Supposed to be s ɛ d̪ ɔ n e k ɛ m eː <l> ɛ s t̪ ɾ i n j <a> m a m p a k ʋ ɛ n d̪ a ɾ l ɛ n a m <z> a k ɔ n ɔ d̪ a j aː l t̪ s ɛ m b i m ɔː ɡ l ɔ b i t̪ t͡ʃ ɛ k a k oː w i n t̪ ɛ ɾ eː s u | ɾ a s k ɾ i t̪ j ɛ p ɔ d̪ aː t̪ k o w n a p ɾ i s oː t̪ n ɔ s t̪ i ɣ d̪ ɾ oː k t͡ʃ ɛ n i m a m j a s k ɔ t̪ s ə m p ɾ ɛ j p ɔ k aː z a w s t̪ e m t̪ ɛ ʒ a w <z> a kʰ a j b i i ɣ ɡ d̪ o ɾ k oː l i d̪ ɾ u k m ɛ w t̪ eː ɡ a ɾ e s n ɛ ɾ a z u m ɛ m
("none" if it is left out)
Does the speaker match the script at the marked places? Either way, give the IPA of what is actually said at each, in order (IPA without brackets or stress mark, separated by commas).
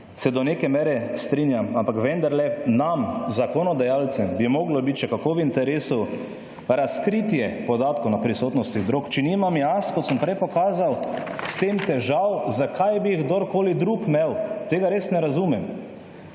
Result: ɾ, a, z, z